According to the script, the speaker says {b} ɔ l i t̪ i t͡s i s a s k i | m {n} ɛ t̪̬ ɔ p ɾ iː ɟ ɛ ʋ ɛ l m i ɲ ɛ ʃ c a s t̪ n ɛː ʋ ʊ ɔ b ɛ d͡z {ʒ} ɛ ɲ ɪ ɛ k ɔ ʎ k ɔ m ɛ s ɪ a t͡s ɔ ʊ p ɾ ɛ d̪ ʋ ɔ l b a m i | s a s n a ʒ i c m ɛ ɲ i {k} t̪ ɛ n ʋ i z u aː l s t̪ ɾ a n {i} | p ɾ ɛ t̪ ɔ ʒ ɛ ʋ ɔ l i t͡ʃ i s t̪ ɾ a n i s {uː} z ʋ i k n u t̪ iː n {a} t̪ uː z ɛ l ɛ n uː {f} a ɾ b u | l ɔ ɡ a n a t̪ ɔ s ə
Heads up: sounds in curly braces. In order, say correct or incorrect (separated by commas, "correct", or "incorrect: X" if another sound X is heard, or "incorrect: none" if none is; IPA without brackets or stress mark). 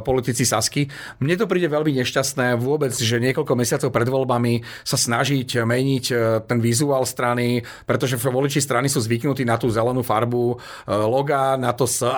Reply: incorrect: p, incorrect: ɲ, correct, incorrect: c, correct, correct, correct, correct